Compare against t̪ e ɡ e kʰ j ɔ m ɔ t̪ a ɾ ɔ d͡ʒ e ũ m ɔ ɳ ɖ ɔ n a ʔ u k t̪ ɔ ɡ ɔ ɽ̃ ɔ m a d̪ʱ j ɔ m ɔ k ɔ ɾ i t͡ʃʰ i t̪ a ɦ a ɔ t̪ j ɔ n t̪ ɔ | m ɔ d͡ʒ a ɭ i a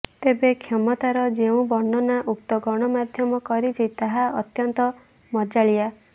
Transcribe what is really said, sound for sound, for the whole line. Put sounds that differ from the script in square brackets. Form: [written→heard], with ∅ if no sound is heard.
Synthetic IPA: t̪ e [ɡ→b] e kʰ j ɔ m ɔ t̪ a ɾ ɔ d͡ʒ e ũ [m→b] ɔ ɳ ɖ ɔ n a ʔ u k t̪ ɔ ɡ ɔ ɽ̃ ɔ m a d̪ʱ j ɔ m ɔ k ɔ ɾ i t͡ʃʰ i t̪ a ɦ a ɔ t̪ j ɔ n t̪ ɔ | m ɔ d͡ʒ a ɭ i a